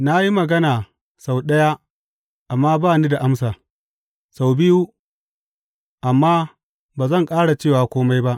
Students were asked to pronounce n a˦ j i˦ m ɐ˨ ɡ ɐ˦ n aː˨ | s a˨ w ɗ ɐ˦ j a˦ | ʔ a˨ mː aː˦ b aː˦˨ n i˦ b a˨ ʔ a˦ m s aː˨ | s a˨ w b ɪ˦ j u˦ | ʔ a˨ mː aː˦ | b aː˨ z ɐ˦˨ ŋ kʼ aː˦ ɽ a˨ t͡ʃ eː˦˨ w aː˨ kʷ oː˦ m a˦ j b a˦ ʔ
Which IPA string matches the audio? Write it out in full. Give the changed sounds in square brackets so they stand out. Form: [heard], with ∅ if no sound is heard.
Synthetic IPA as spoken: n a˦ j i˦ m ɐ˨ ɡ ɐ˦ n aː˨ | s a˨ w ɗ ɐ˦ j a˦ | ʔ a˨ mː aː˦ b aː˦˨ n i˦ [d] a˨ ʔ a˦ m s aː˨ | s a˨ w b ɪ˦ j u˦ | ʔ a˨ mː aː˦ | b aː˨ z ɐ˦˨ ŋ kʼ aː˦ ɽ a˨ t͡ʃ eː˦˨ w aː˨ kʷ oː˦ m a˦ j b a˦ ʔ